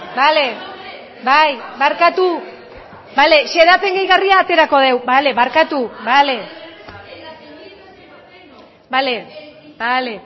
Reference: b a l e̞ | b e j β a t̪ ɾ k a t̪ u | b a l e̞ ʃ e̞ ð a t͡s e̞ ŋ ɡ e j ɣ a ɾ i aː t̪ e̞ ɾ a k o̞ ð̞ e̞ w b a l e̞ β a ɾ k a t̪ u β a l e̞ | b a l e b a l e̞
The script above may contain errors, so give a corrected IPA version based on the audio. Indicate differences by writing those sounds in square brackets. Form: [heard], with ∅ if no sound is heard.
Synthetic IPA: b a l e̞ | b [a] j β a [∅] ɾ k a t̪ u | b a l e̞ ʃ e̞ ð a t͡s e̞ ŋ ɡ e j ɣ a [r] i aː t̪ e̞ ɾ a k o̞ ð̞ e̞ w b a l e̞ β a ɾ k a t̪ u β a l e̞ | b a l e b a l e̞